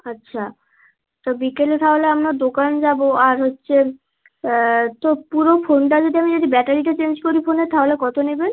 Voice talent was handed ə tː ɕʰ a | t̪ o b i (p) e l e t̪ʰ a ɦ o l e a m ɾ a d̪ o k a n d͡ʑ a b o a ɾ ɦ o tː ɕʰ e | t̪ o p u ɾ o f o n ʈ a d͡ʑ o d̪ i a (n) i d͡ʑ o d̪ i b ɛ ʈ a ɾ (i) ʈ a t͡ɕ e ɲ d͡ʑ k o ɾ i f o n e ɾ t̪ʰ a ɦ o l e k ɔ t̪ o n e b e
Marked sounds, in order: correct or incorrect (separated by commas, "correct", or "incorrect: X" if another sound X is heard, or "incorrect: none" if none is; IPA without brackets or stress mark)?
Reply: incorrect: k, incorrect: m, correct